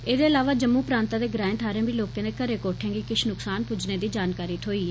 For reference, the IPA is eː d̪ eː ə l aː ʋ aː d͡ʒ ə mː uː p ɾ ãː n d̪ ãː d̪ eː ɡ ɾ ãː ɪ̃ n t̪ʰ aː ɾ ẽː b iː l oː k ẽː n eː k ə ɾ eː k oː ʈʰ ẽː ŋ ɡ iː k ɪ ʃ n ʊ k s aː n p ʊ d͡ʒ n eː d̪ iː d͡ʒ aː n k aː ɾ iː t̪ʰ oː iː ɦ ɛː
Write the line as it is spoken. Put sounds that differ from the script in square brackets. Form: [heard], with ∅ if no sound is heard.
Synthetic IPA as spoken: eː d̪ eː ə l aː ʋ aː d͡ʒ ə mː uː p ɾ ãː n [t̪] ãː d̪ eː ɡ ɾ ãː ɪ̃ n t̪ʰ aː ɾ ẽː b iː l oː k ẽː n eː k ə ɾ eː k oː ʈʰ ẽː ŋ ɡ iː k ɪ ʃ n ʊ k s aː n p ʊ d͡ʒ n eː d̪ iː d͡ʒ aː n k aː ɾ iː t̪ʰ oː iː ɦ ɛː